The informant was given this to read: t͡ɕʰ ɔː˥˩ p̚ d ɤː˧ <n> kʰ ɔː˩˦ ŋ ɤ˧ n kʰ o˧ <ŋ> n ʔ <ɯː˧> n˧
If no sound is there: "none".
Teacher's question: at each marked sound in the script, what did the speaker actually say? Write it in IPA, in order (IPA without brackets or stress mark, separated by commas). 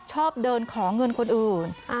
n, none, ɯː˨˩